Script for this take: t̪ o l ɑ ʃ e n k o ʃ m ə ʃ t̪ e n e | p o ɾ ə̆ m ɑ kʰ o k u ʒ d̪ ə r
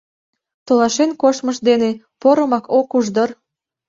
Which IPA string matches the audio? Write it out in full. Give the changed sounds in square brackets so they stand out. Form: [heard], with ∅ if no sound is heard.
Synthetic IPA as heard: t̪ o l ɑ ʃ e n k o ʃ m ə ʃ [d̪] e n e | p o ɾ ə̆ m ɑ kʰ o k u ʒ d̪ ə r